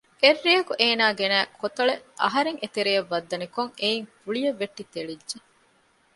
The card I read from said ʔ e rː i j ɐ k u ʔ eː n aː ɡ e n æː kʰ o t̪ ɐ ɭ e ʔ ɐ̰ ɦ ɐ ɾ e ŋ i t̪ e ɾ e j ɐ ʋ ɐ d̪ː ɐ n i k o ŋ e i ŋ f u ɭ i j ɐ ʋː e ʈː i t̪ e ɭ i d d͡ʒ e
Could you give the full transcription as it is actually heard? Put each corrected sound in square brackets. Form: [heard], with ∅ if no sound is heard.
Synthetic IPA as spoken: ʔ e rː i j ɐ k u ʔ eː n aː ɡ e n æː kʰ o t̪ ɐ ɭ e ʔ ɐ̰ ɦ ɐ ɾ e ŋ [e] t̪ e ɾ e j ɐ [ʋː] ɐ d̪ː ɐ n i k o ŋ e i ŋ f u ɭ i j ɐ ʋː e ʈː i t̪ e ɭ i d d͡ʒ e